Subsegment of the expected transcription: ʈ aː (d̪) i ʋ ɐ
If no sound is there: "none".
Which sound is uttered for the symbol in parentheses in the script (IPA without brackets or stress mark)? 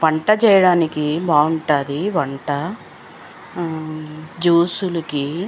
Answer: d̪